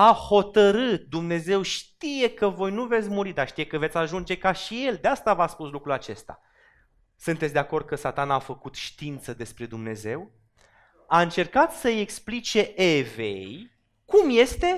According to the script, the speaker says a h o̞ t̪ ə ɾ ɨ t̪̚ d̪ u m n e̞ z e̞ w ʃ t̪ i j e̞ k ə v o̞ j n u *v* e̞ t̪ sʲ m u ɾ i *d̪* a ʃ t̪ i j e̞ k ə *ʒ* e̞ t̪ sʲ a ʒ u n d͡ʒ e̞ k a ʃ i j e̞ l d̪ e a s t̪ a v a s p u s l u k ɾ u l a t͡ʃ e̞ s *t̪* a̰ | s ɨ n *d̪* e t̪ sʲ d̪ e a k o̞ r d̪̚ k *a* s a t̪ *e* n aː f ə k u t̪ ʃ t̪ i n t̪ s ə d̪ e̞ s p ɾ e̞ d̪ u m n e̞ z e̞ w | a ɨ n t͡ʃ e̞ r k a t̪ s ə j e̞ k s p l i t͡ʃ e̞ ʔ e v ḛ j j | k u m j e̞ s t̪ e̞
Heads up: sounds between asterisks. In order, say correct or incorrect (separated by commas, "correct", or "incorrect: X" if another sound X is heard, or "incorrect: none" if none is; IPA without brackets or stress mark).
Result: correct, correct, incorrect: v, correct, incorrect: t̪, incorrect: ə, incorrect: a